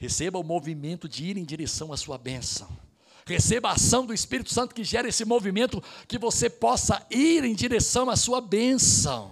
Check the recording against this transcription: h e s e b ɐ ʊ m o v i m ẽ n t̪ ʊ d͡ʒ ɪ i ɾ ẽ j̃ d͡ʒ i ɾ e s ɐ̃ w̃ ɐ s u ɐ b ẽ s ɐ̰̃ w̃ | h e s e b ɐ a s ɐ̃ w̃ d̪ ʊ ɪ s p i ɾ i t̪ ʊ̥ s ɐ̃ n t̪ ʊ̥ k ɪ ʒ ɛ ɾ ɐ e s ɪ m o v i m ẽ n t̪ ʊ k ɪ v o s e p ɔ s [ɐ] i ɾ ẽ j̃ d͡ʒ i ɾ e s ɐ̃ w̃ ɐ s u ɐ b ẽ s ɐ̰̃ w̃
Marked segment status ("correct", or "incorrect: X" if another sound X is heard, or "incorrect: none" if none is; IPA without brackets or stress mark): correct